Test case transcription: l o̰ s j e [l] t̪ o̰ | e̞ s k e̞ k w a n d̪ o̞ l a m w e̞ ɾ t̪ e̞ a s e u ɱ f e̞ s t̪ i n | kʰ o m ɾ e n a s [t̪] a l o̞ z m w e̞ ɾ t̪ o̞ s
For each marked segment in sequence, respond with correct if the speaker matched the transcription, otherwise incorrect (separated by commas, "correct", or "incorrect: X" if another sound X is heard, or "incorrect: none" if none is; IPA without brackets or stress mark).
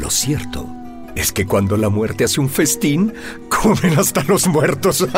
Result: incorrect: ɾ, correct